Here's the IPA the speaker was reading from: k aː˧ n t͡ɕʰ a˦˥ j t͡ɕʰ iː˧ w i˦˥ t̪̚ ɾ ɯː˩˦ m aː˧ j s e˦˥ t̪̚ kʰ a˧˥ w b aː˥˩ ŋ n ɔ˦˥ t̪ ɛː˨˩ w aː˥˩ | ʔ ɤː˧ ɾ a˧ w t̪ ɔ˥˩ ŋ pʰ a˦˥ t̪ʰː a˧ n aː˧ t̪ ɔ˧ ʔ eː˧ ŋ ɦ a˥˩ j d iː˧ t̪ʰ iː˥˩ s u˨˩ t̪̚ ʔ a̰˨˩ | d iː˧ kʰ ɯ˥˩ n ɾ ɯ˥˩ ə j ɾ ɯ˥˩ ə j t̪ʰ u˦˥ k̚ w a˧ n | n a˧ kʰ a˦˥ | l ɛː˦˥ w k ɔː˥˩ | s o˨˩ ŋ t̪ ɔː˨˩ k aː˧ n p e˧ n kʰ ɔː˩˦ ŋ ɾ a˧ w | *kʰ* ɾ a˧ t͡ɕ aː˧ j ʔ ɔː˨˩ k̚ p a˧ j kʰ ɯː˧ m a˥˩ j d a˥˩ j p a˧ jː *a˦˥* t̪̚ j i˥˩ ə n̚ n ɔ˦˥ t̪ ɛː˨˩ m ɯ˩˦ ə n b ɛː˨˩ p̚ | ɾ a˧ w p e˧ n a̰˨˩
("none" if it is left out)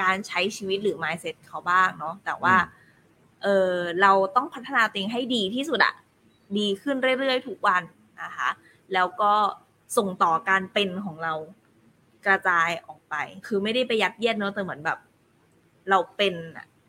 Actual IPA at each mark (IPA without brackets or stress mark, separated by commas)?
k, a˦˥